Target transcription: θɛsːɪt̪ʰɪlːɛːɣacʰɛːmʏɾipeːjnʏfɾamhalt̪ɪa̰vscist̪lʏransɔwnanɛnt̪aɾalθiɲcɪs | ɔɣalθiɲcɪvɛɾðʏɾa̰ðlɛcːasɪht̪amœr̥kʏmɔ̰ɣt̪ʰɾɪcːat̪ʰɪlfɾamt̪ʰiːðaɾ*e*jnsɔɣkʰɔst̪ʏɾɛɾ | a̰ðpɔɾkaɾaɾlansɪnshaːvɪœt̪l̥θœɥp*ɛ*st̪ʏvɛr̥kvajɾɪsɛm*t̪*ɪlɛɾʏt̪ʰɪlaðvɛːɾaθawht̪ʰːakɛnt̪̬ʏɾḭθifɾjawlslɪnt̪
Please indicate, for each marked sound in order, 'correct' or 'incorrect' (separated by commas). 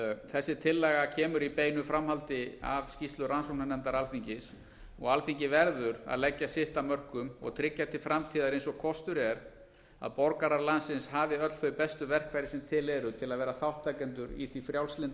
correct, correct, incorrect